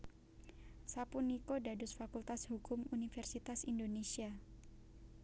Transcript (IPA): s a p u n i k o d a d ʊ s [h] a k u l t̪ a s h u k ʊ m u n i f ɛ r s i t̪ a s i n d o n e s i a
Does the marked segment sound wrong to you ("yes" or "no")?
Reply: yes